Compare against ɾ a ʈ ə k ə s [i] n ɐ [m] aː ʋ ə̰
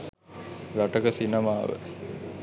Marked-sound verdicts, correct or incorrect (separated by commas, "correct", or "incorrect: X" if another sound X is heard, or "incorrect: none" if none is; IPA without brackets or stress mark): correct, correct